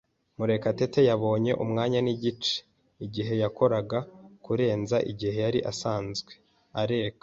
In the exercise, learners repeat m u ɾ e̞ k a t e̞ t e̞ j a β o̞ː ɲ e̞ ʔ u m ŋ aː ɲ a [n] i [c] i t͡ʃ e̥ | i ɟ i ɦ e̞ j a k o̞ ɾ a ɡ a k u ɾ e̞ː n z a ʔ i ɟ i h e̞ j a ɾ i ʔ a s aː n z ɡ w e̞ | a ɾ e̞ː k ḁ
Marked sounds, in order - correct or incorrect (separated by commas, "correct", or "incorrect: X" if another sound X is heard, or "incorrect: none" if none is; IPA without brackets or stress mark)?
correct, incorrect: ɟ